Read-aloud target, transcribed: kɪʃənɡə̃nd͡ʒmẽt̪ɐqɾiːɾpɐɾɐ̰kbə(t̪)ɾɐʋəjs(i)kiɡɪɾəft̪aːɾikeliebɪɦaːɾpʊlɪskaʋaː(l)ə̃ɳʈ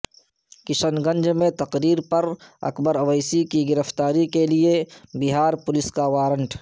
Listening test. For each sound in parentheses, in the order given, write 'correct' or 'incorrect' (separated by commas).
incorrect, correct, incorrect